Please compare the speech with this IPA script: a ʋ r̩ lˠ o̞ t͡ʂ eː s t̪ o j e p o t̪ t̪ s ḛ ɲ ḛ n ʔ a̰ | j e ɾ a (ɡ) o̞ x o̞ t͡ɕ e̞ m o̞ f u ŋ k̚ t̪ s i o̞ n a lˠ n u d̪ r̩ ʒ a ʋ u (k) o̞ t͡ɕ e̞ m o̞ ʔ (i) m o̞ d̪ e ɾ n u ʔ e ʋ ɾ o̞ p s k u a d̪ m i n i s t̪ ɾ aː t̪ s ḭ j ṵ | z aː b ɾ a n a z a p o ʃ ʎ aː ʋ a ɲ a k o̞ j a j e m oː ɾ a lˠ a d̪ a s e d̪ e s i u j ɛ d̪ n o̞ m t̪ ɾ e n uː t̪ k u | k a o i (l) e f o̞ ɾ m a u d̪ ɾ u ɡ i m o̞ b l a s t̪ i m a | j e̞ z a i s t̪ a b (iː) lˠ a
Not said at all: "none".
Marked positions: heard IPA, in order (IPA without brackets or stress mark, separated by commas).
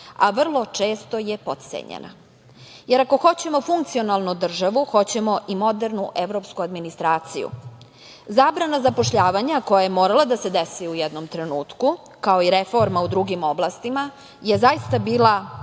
k, x, i, ɾ, iː